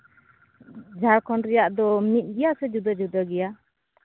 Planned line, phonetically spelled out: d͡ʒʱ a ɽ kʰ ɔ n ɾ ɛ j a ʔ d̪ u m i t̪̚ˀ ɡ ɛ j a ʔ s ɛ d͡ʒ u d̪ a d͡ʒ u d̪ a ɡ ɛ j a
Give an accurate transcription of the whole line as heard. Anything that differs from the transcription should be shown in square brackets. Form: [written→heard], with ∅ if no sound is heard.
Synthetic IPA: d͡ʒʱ a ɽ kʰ ɔ n ɾ ɛ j a ʔ d̪ [u→ɔ] m i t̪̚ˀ ɡ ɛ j a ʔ s ɛ d͡ʒ u d̪ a d͡ʒ u d̪ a ɡ ɛ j a